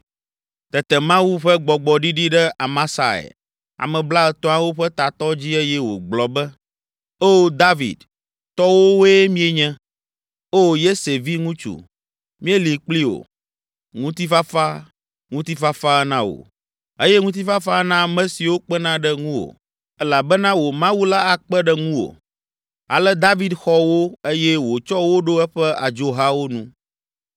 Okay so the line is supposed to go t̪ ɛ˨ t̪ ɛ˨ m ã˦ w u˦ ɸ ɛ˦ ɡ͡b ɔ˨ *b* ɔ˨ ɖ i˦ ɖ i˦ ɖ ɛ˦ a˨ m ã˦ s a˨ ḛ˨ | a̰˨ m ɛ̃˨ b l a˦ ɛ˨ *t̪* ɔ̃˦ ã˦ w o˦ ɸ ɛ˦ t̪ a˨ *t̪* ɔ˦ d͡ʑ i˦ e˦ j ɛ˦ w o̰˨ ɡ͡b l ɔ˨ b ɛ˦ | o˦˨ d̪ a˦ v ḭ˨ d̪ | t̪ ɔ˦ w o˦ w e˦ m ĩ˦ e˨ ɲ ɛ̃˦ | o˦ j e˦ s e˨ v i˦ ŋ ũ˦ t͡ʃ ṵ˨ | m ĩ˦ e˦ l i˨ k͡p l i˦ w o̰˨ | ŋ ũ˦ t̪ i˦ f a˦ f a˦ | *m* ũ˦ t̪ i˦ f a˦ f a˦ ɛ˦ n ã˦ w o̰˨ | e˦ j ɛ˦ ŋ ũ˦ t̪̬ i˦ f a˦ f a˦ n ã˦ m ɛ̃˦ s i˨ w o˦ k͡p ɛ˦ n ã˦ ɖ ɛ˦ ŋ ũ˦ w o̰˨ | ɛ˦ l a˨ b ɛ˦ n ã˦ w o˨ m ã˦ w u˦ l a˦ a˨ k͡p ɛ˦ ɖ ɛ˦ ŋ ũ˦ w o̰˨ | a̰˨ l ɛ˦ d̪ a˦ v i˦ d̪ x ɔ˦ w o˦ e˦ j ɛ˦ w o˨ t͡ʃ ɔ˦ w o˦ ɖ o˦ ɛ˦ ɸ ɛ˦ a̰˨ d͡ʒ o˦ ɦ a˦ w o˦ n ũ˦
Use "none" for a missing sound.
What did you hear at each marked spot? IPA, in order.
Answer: ɡ͡b, t̪, t̪, ŋ

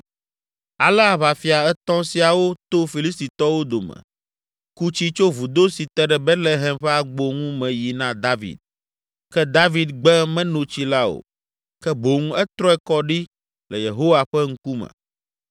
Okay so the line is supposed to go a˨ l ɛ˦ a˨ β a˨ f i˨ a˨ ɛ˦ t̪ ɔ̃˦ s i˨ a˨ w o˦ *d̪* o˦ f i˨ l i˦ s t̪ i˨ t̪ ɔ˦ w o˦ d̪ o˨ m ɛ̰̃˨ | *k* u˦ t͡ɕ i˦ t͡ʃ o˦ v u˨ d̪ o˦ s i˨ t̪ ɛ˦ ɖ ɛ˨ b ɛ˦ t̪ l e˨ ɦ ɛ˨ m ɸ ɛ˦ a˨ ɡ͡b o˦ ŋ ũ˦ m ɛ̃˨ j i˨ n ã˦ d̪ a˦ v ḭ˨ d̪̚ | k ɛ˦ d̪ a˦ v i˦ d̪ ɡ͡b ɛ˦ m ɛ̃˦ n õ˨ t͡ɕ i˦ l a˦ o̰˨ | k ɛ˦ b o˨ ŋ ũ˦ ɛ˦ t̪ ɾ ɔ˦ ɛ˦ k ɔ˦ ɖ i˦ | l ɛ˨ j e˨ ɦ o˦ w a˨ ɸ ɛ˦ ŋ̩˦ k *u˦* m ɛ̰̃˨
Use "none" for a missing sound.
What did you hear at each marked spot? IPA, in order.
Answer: t̪, k, u˦

